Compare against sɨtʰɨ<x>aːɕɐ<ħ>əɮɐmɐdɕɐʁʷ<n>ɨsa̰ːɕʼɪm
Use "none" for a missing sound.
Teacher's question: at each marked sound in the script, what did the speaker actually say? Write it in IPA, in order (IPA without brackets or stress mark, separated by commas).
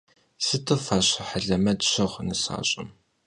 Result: f, ħ, n